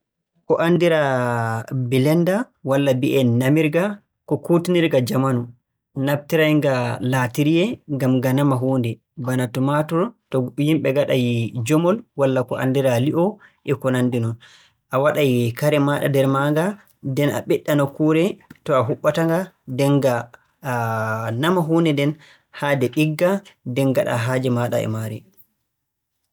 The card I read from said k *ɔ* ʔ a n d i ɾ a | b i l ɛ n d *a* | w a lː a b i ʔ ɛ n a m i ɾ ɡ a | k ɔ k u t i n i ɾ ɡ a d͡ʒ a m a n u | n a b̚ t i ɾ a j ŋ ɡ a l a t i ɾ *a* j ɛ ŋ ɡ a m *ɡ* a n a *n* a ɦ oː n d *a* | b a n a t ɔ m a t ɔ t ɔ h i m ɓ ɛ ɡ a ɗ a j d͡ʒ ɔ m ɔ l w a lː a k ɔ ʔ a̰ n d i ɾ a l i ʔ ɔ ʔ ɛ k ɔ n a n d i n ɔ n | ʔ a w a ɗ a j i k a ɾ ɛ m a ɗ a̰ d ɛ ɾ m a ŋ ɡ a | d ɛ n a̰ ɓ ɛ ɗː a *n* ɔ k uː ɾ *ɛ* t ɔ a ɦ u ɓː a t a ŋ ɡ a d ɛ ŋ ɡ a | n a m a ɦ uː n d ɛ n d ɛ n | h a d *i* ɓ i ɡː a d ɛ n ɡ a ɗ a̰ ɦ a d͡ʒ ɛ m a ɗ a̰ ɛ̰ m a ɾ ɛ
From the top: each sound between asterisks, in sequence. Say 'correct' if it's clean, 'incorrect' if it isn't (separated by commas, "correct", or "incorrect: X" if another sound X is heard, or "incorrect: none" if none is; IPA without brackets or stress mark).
correct, correct, incorrect: i, correct, incorrect: m, incorrect: ɛ, correct, correct, incorrect: ɛ